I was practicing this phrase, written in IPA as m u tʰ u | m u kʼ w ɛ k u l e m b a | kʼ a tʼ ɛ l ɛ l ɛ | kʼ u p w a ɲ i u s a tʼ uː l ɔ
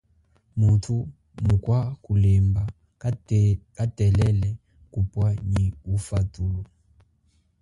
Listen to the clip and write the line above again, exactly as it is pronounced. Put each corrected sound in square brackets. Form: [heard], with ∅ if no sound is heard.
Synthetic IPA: m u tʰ u | m u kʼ w [a] k u l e m b a | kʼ a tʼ ɛ l ɛ l ɛ | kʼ u p w a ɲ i u [f] a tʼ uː l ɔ